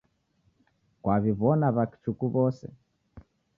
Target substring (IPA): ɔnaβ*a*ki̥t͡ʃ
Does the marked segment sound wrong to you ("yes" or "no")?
no